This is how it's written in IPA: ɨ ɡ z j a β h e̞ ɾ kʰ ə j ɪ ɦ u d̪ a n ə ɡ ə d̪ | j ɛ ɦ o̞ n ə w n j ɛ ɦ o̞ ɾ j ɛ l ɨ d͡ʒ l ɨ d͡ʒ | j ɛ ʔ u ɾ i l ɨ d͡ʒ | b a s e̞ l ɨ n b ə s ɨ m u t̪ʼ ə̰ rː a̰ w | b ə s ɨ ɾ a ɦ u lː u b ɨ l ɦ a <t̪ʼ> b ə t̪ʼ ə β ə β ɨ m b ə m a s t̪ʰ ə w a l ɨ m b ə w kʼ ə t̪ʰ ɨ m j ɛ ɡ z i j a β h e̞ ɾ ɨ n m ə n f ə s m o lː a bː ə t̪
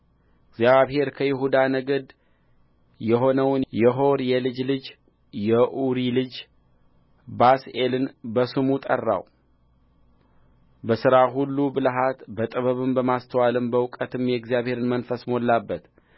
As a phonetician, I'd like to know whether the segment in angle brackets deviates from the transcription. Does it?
yes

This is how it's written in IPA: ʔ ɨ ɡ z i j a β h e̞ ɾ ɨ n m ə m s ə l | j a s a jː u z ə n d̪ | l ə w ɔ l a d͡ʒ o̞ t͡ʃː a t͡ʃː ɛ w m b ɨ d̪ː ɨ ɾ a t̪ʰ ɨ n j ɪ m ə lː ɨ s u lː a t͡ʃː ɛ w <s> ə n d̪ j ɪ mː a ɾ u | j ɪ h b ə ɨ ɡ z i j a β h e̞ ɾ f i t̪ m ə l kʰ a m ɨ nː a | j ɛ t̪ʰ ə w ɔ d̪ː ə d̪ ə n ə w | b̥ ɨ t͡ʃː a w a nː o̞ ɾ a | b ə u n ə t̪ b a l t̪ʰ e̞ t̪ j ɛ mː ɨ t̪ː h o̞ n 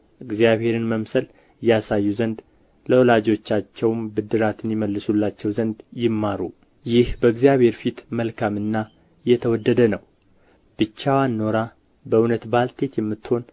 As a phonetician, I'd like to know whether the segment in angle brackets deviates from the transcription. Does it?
yes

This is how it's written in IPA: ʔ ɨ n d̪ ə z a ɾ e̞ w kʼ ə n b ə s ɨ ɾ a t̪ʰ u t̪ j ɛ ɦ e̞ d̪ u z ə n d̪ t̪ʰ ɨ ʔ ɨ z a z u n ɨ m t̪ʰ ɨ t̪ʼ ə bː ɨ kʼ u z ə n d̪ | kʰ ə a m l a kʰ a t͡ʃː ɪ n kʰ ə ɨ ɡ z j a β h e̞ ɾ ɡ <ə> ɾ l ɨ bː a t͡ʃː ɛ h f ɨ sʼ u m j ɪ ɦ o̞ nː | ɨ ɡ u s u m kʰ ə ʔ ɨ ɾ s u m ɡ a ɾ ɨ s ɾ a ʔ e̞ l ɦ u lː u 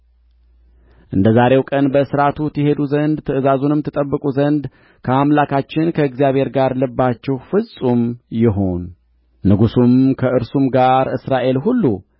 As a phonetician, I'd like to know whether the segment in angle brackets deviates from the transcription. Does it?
yes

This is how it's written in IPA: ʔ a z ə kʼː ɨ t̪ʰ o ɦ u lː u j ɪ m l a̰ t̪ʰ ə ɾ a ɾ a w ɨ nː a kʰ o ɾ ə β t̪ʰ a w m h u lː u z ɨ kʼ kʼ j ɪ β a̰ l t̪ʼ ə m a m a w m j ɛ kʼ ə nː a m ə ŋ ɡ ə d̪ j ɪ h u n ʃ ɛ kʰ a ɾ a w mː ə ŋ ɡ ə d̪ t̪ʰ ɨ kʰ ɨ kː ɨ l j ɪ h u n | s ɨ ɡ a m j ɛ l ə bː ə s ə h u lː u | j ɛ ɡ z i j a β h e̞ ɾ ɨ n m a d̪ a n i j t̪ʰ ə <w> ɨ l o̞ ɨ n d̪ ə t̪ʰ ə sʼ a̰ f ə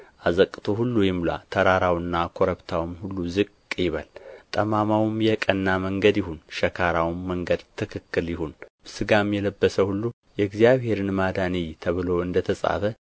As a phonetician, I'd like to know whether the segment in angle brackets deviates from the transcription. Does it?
yes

